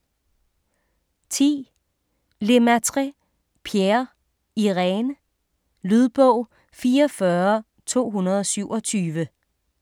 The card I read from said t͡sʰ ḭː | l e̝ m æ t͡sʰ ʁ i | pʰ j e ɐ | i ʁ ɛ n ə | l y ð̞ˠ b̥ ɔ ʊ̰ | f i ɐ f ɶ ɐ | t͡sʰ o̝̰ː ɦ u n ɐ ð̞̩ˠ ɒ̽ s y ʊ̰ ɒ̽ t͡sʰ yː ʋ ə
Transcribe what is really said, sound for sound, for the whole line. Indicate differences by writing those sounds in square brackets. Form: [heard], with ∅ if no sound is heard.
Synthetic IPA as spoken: t͡sʰ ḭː | l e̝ m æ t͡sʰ ʁ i | pʰ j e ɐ | i ʁ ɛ n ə | l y ð̞ˠ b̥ ɔ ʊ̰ | f [iː] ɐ f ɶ ɐ | t͡sʰ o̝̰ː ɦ u n ɐ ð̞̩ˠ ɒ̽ s y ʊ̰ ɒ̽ t͡sʰ yː ʋ ə